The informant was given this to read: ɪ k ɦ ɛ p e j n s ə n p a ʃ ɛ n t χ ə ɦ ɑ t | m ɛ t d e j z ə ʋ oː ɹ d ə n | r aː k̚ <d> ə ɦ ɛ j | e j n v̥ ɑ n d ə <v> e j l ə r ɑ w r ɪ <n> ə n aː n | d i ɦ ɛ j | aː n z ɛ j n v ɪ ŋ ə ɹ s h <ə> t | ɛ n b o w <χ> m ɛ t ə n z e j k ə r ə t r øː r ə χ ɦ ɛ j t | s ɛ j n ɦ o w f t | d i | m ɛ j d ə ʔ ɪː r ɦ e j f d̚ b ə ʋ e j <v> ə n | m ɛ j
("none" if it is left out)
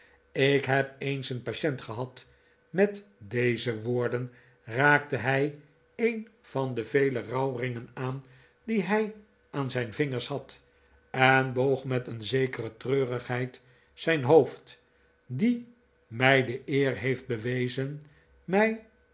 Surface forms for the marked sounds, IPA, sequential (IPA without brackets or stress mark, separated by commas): t, v, ŋ, ɑ, χ, z